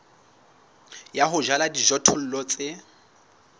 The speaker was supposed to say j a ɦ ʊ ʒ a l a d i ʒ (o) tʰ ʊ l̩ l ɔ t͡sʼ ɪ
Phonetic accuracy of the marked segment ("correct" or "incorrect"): incorrect